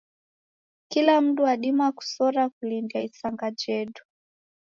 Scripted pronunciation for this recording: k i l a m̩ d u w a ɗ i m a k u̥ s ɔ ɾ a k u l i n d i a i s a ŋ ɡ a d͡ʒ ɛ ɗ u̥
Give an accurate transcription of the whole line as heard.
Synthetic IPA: k i l a m̩ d u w a ɗ i m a k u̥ s ɔ ɾ a k u l i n d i a i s a ŋ ɡ a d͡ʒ ɛ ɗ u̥